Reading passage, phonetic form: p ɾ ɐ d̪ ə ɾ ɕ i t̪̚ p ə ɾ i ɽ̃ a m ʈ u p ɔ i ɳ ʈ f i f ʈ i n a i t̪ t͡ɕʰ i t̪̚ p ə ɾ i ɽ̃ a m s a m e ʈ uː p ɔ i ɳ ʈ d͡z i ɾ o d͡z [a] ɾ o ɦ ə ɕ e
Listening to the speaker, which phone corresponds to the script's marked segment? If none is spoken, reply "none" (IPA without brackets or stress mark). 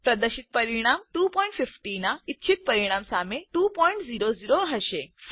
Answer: i